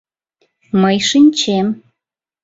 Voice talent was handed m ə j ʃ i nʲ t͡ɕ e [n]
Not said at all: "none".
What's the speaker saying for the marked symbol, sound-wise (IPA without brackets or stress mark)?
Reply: m